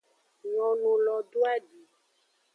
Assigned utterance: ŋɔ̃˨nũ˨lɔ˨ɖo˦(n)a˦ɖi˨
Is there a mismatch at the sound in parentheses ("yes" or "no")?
yes